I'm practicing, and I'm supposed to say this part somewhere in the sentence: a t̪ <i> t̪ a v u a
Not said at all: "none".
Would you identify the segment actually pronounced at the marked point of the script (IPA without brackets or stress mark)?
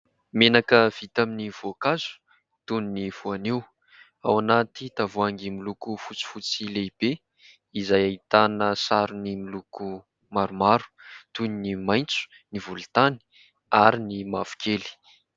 i